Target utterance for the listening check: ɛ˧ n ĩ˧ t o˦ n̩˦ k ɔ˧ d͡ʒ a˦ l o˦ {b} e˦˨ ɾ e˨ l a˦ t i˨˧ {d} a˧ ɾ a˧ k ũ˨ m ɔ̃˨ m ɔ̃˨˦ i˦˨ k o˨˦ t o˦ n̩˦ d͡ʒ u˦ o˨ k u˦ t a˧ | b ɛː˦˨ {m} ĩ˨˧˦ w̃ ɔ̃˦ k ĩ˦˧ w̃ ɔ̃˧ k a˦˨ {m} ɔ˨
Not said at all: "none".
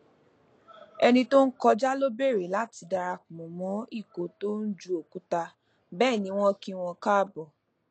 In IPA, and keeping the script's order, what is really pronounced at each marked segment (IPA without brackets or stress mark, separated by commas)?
b, d, n, b